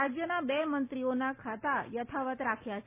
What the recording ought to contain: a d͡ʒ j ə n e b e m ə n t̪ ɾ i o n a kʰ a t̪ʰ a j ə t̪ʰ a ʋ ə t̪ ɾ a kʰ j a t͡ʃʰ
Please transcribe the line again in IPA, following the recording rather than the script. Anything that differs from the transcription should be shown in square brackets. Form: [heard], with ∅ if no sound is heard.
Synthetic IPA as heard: a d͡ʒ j ə n [a] b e m ə n t̪ ɾ i o n a kʰ a [t̪] a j ə t̪ʰ a ʋ ə t̪ ɾ a kʰ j a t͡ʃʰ